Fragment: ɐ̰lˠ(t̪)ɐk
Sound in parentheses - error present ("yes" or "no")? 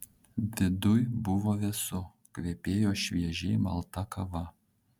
no